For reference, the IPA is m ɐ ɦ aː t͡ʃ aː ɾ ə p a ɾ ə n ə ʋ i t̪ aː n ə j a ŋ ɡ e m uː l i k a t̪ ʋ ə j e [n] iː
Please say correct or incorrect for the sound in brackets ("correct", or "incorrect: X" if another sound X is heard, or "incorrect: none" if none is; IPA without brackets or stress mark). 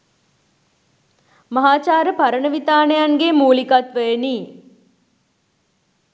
correct